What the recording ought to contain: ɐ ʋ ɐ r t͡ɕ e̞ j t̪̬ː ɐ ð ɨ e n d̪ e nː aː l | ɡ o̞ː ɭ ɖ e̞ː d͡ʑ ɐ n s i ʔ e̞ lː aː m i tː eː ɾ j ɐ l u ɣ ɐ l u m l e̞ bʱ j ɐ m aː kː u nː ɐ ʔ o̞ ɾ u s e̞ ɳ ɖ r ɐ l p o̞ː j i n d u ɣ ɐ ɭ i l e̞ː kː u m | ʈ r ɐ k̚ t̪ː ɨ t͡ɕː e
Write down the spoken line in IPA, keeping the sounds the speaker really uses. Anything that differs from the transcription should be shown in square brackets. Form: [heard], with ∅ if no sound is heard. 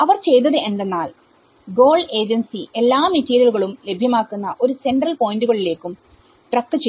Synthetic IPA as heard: ɐ ʋ ɐ r t͡ɕ e̞ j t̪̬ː ɐ ð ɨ e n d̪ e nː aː l | ɡ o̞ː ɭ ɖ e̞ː d͡ʑ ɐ n s i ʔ e̞ lː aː m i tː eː ɾ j ɐ l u ɣ ɐ [ɭ] u m l e̞ bʱ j ɐ m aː kː u nː ɐ ʔ o̞ ɾ u s e̞ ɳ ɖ r ɐ l p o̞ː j i n d u ɣ ɐ ɭ i l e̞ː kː u m | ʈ r ɐ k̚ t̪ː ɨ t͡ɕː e